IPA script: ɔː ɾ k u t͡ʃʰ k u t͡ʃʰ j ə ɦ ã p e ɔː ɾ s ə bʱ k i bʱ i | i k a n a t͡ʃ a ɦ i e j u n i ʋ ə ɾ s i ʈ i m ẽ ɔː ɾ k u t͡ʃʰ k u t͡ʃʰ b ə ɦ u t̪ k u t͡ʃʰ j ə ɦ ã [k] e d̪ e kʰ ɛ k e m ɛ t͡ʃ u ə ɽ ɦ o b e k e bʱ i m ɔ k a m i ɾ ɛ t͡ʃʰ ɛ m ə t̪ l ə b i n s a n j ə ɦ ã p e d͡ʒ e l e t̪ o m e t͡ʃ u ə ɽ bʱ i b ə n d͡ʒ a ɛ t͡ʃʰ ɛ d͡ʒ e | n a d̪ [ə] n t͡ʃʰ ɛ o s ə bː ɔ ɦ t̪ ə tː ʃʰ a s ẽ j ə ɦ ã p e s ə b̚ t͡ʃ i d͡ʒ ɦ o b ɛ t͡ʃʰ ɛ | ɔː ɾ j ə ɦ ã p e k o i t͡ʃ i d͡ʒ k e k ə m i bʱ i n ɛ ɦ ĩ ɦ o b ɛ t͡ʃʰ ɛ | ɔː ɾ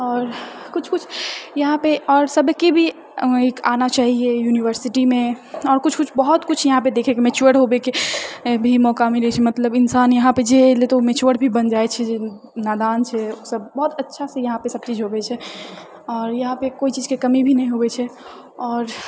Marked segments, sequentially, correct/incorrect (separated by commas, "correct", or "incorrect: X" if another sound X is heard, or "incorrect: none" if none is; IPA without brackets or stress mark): incorrect: p, incorrect: a